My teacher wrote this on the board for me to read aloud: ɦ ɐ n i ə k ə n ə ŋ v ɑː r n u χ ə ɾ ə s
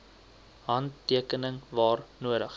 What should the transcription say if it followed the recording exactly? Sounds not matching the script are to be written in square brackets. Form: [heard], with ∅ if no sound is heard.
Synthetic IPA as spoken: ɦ ɐ n i ə k ə n ə ŋ v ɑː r n u [∅] ə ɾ ə [χ]